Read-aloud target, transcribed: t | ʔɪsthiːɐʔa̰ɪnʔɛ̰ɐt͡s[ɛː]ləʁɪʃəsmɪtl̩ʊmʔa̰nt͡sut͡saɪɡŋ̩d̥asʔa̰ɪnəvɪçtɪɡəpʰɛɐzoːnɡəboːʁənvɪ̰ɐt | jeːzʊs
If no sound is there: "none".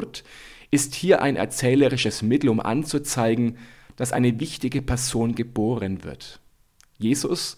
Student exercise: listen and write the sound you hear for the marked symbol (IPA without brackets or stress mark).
ɛː